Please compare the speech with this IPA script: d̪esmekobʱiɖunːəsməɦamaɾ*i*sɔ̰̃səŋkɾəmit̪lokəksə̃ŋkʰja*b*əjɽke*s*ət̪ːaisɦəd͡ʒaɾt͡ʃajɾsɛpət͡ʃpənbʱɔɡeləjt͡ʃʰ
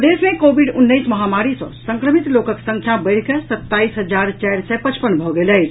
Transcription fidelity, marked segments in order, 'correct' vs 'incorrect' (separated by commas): correct, correct, correct